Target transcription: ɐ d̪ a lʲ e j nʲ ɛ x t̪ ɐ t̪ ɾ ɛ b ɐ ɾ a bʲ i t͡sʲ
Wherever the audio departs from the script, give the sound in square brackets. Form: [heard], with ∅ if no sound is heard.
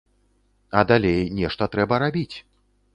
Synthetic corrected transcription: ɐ d̪ a lʲ e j nʲ ɛ [ʂ] t̪ ɐ t̪ ɾ ɛ b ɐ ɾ a bʲ i t͡sʲ